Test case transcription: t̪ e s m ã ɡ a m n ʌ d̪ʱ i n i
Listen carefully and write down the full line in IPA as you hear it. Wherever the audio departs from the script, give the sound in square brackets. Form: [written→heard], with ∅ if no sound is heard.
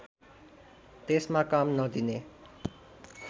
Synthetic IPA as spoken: t̪ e s m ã [ɡ→k] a m n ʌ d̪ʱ i n [i→e]